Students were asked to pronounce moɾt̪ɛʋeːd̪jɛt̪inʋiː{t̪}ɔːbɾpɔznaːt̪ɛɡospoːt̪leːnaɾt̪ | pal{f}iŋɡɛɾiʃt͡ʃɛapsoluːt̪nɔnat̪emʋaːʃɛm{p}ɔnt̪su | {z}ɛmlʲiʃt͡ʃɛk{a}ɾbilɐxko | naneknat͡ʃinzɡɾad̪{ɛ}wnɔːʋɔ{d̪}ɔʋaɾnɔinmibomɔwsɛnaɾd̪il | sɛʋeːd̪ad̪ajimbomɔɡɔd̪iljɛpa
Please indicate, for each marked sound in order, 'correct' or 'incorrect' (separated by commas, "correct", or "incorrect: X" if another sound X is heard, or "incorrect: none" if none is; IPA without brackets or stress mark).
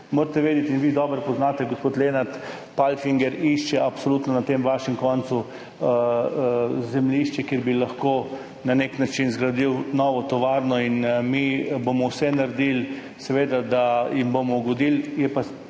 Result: incorrect: d̪, correct, incorrect: k, correct, incorrect: e, incorrect: i, incorrect: t̪